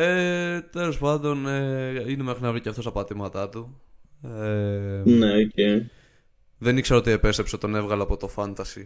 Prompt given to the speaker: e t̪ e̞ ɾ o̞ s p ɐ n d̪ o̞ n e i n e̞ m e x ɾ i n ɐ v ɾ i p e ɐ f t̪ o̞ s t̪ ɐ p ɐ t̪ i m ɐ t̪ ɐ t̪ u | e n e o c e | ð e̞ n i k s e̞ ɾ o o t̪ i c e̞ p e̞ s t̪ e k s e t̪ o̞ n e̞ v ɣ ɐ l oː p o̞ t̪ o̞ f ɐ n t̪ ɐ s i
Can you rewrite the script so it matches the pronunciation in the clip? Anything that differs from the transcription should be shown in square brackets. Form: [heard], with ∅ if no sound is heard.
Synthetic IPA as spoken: e t̪ e̞ [l] o̞ s p ɐ n d̪ o̞ n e i n e̞ m e x ɾ i n ɐ v ɾ i [c] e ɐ f t̪ o̞ s t̪ ɐ p ɐ t̪ i m ɐ t̪ ɐ t̪ u | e n e o c e | ð e̞ n i k s e̞ ɾ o o t̪ i [∅] e̞ p e̞ s t̪ e [p] s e t̪ o̞ n e̞ v ɣ ɐ l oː p o̞ t̪ o̞ f ɐ n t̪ ɐ s i